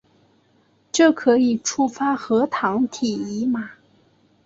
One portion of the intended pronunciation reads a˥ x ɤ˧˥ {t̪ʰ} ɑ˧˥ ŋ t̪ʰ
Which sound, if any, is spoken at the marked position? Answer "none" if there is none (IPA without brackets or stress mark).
t̪ʰ